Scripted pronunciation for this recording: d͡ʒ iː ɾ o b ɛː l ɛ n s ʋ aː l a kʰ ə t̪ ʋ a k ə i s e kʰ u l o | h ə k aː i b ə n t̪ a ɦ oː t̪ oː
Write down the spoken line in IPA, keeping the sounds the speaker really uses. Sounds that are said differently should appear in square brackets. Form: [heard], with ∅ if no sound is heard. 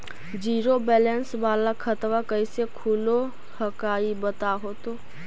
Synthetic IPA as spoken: d͡ʒ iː ɾ o b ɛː l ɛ n s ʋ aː l a kʰ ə t̪ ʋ a k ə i s e kʰ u l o | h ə k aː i b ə [∅] t̪ a ɦ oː t̪ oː